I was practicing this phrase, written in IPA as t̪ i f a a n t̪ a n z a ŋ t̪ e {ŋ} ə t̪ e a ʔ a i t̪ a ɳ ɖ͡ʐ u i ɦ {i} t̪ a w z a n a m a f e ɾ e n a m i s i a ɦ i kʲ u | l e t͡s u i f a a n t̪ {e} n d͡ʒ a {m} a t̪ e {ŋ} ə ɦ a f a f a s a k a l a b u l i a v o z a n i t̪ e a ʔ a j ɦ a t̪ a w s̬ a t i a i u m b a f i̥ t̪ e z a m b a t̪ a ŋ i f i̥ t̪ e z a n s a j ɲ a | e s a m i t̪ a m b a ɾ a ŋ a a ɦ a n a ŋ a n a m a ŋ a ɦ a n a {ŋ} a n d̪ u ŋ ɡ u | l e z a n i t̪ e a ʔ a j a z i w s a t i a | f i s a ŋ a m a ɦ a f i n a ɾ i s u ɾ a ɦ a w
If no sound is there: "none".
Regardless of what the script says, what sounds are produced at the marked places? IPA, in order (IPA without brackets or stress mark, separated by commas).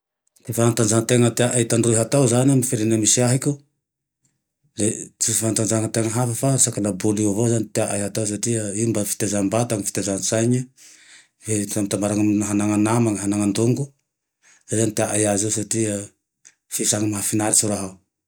ŋ, a, a, ŋ, ŋ, ŋ